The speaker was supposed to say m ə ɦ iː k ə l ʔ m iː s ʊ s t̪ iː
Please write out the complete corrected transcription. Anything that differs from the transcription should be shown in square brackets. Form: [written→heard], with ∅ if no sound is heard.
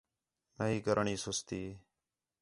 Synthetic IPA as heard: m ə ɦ iː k ə [l→ɾ] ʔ [m→ɳ] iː s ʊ s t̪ iː